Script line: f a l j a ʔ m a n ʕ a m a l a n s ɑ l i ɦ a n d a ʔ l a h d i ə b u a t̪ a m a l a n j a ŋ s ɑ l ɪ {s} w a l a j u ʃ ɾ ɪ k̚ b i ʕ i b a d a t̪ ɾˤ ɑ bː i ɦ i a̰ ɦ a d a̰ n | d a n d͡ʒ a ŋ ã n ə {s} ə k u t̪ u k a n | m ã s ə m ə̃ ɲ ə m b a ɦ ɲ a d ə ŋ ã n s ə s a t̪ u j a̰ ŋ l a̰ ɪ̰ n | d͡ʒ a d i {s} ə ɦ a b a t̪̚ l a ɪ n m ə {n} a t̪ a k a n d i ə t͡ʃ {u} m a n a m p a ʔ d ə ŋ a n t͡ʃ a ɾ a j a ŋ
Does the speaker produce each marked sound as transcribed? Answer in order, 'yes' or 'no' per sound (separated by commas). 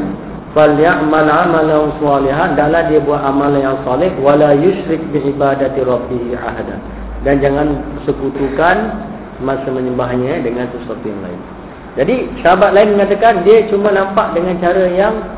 no, yes, yes, no, yes